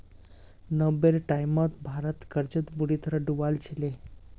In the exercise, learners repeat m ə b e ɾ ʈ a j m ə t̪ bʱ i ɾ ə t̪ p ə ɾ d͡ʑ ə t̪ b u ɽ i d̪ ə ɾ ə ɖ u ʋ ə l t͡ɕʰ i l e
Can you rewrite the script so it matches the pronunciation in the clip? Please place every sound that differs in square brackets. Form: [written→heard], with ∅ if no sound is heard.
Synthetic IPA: [m→n] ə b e ɾ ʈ a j m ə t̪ bʱ [i→a] ɾ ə t̪ [p→k] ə ɾ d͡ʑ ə t̪ b u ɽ i [d̪→t̪] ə ɾ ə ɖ u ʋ [ə→a] l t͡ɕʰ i l e